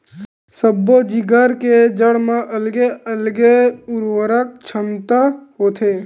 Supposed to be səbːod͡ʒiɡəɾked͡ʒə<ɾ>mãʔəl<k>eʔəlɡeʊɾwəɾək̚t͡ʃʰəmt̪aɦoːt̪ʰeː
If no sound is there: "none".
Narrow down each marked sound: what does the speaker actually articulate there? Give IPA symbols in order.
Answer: ɽ, ɡ

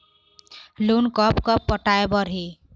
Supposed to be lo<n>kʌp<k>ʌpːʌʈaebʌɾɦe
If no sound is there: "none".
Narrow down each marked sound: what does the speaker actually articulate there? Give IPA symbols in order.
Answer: n, k

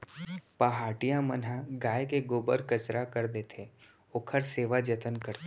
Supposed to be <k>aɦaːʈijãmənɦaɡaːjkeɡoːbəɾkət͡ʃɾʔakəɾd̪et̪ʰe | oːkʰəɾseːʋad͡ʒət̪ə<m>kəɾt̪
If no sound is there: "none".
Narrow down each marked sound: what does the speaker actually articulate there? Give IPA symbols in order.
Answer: p, n

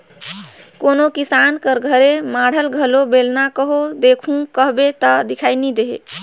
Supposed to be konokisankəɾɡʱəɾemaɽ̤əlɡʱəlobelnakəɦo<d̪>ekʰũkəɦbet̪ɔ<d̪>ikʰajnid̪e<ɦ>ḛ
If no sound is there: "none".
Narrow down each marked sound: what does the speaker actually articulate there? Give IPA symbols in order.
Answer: d̪, d̪, ɦ

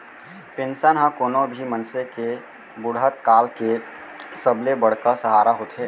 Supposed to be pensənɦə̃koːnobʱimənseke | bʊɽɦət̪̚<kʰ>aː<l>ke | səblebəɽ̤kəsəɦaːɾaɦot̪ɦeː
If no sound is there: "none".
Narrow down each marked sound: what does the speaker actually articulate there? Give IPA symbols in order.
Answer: k, l

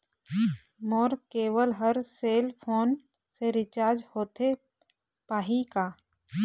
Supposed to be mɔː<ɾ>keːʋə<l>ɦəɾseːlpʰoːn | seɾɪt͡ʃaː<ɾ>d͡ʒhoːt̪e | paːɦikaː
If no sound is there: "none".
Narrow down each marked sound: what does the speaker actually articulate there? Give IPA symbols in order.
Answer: ɾ, l, ɾ

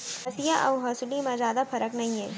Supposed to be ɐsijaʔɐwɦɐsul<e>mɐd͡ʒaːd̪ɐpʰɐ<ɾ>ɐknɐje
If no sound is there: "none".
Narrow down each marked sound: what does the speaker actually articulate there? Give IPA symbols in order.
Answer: i, ɾ

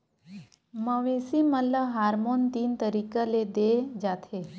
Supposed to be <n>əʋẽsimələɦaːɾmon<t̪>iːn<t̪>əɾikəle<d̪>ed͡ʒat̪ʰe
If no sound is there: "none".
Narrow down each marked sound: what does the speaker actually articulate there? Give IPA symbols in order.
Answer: m, t̪, t̪, d̪

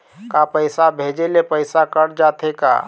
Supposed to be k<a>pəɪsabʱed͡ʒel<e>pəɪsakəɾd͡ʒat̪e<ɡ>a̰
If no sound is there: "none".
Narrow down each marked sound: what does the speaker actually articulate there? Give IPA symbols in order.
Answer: a, e, k

